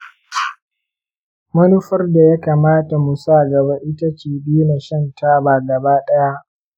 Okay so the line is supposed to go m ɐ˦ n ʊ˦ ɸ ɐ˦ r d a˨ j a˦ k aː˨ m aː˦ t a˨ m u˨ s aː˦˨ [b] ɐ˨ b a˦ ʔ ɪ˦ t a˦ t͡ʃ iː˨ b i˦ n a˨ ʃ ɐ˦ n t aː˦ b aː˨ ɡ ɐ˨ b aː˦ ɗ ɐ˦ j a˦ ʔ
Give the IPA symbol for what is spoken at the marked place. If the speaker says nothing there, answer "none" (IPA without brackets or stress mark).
ɡ